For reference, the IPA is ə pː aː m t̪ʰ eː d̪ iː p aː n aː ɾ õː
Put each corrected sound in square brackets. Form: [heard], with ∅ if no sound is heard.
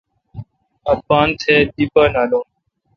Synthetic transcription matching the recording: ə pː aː [n] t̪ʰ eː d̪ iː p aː n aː [l] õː